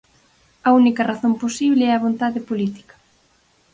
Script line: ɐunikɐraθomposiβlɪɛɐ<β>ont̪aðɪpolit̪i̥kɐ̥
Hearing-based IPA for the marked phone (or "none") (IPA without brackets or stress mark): β